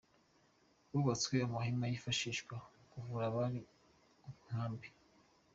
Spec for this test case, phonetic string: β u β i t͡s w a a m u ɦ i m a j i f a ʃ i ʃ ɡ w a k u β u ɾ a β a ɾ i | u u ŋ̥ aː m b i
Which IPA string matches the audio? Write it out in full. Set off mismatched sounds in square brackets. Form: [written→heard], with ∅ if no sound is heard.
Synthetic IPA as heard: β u β [i→a] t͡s w [a→e] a m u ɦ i m a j i f a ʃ i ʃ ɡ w a k u [β→v] u ɾ a β a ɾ i | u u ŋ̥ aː m b i